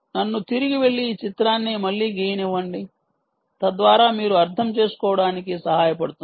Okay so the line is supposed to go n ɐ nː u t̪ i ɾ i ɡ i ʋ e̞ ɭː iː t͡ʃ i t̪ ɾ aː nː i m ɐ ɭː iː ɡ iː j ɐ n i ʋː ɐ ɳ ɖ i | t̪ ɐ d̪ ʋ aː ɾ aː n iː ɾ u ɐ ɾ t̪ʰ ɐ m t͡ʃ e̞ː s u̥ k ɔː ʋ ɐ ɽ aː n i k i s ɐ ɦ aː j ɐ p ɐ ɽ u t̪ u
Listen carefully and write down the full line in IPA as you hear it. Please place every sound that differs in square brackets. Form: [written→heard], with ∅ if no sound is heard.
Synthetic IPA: n ɐ nː u t̪ i ɾ i ɡ i ʋ e̞ ɭː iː t͡ʃ i t̪ ɾ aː nː i m ɐ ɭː iː ɡ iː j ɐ n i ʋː ɐ ɳ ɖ i | t̪ ɐ d̪ ʋ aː ɾ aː [n→m] iː ɾ u ɐ ɾ t̪ʰ ɐ m t͡ʃ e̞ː s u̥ k ɔː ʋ ɐ ɽ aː n i k i s ɐ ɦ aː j ɐ p ɐ ɽ u t̪ u